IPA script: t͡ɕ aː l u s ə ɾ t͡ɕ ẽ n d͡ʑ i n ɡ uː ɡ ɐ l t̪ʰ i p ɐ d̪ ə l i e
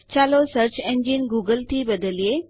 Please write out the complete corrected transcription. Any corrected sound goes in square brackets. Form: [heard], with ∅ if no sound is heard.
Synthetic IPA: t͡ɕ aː l [o] s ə ɾ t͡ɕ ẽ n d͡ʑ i n ɡ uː ɡ [ə] l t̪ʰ i [b] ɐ d̪ ə l i e